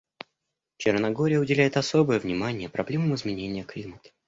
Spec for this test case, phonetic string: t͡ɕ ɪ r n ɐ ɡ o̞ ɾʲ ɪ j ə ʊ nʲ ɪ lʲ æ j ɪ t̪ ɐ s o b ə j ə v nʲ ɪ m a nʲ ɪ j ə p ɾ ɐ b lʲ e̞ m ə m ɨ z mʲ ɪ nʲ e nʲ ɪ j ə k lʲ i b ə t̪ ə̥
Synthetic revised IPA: t͡ɕ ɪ r n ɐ ɡ o̞ ɾʲ ɪ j ə ʊ dʲ ɪ lʲ æ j ɪ t̪ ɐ s o b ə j ə v nʲ ɪ m a nʲ ɪ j ə p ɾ ɐ b lʲ e̞ m ə m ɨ z mʲ ɪ nʲ e nʲ ɪ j ə k lʲ i m ə t̪ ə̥